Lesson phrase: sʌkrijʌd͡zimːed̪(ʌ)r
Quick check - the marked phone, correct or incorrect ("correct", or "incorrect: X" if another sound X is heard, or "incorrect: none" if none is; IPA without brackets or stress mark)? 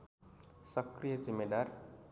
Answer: incorrect: a